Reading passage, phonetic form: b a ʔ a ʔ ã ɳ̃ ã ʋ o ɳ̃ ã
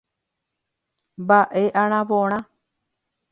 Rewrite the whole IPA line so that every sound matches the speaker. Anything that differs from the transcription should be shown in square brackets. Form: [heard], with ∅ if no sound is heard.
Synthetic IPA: b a ʔ [e] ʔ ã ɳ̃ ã ʋ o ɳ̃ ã